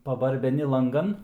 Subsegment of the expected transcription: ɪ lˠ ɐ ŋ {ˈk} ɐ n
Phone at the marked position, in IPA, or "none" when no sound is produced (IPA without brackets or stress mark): ɡ